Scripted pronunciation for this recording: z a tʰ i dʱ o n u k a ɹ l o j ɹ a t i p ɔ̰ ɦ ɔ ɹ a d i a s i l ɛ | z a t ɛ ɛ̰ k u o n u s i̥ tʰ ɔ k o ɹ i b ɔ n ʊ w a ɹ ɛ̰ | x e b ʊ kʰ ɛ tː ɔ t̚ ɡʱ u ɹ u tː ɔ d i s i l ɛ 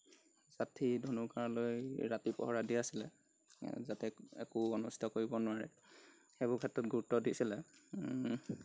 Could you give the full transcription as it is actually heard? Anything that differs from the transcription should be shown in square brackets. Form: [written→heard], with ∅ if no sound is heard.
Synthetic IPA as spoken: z a tʰ i dʱ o n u k a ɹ l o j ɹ a t i p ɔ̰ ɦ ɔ ɹ a d i a s i l ɛ | z a t ɛ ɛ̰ k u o n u s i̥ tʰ ɔ k o ɹ i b ɔ n ʊ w a ɹ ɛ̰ | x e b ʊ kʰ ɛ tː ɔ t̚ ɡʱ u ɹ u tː ɔ d i s i l ɛ